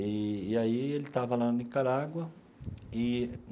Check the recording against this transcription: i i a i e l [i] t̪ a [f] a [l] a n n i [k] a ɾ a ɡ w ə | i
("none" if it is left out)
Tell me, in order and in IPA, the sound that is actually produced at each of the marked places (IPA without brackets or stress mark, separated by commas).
i, v, l, k